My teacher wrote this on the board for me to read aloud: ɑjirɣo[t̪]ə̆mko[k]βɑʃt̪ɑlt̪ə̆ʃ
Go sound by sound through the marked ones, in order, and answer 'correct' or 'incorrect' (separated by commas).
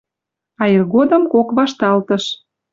incorrect, correct